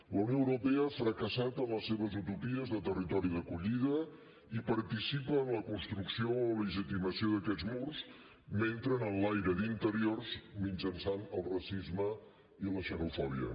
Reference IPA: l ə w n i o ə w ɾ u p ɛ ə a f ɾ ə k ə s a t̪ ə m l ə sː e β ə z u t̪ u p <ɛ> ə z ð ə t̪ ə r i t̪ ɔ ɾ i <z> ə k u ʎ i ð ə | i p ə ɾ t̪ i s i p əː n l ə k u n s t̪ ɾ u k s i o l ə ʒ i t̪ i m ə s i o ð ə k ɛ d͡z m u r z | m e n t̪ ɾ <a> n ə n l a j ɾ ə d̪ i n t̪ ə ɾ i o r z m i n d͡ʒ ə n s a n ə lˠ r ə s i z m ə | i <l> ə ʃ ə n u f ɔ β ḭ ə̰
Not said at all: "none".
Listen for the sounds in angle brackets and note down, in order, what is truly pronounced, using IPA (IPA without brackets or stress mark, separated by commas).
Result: i, ð, ə, l